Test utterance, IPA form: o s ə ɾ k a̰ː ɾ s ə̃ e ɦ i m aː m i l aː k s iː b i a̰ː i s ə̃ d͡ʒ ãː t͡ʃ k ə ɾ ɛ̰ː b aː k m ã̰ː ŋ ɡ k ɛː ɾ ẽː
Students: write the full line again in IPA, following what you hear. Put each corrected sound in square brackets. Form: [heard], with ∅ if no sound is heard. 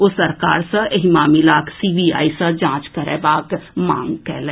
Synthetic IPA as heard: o s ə ɾ k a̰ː ɾ s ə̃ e ɦ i m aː m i l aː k s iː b i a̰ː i s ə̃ d͡ʒ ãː t͡ʃ k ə ɾ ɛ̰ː b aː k m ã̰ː ŋ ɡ k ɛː [l] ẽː